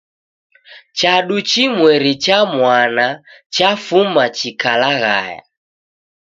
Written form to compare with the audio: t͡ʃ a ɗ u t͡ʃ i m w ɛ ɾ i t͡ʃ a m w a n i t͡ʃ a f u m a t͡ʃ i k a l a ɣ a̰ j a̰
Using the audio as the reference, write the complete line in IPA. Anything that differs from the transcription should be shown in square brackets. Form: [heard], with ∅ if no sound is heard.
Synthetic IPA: t͡ʃ a ɗ u t͡ʃ i m w ɛ ɾ i t͡ʃ a m w a n [a] t͡ʃ a f u m a t͡ʃ i k a l a ɣ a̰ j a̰